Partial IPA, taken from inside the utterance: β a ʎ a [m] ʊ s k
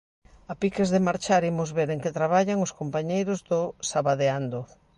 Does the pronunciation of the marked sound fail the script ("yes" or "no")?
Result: yes